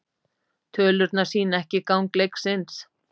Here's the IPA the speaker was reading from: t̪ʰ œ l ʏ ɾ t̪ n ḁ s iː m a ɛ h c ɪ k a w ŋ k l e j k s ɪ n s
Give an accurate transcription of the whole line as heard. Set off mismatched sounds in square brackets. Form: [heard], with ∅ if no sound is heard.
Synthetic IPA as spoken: t̪ʰ [œː] l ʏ ɾ t̪ n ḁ s iː [n] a ɛ h c ɪ k a w ŋ k l e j k s ɪ n s